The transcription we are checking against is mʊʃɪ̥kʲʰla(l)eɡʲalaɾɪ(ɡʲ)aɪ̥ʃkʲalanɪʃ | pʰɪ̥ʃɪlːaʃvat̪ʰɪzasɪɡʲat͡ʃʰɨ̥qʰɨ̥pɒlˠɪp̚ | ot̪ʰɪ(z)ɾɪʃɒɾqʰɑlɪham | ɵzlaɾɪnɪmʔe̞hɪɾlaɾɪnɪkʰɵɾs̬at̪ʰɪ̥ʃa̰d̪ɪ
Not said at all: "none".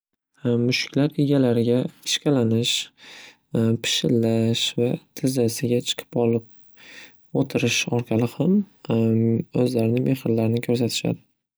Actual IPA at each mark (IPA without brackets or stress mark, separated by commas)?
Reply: ɾ, ɡʲ, none